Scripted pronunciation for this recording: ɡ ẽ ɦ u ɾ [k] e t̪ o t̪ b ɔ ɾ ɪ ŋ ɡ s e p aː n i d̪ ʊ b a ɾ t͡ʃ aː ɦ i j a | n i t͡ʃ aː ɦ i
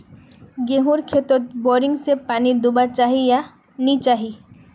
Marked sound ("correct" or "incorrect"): incorrect